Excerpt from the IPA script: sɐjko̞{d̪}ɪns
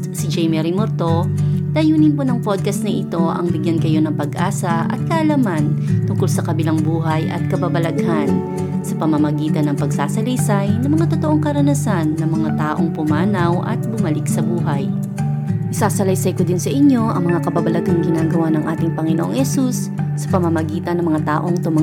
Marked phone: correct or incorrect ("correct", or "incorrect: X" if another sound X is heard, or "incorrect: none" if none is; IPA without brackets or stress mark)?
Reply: correct